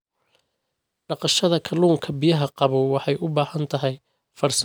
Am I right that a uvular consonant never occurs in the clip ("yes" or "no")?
no